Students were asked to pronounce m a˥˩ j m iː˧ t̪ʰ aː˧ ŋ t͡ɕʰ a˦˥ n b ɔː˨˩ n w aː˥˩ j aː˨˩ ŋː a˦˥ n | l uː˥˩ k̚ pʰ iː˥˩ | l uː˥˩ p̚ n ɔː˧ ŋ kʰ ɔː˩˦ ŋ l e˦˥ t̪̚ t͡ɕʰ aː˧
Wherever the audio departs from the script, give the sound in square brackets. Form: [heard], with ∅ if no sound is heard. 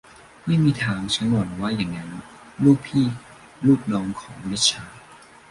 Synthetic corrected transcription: m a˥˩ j m iː˧ t̪ʰ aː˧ ŋ t͡ɕʰ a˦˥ n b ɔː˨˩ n w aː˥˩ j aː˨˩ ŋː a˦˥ n | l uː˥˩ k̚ pʰ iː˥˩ | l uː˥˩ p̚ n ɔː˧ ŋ kʰ ɔː˩˦ ŋ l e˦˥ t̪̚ t͡ɕʰ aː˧